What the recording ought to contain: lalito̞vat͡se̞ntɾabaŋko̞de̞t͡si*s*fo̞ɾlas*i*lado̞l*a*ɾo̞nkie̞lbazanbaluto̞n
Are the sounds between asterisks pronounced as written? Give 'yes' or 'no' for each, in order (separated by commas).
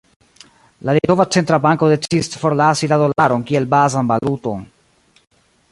yes, yes, yes